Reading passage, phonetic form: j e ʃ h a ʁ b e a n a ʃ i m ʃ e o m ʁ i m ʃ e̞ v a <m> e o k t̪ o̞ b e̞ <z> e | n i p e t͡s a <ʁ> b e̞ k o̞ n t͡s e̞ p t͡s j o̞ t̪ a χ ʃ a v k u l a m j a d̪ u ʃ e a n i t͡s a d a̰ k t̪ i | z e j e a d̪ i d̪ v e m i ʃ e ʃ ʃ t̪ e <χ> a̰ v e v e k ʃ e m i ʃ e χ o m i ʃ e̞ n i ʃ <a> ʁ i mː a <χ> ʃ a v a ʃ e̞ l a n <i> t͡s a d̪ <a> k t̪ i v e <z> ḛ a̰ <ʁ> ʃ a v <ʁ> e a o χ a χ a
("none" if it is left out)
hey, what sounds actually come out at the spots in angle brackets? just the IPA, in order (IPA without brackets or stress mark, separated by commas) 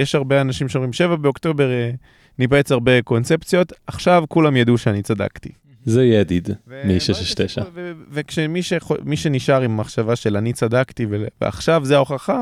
b, ʁ, ʁ, ʃ, a, χ, i, a, v, χ, z